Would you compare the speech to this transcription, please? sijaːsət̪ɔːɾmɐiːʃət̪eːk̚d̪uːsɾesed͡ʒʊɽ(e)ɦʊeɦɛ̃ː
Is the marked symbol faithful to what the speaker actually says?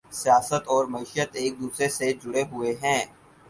yes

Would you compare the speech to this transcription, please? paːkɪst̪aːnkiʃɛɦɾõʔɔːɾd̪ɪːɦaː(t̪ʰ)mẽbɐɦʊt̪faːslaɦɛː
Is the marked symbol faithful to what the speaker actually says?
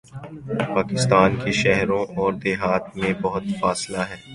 no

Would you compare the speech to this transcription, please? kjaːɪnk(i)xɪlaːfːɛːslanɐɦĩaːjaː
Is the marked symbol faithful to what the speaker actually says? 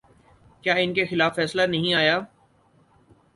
no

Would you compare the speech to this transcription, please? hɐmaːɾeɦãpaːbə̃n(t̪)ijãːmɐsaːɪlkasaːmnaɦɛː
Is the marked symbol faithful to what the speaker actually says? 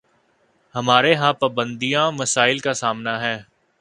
no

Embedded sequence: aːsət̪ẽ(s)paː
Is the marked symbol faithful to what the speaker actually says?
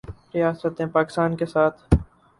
no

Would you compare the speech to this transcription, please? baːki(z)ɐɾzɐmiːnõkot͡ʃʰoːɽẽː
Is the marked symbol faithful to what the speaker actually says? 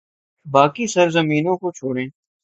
no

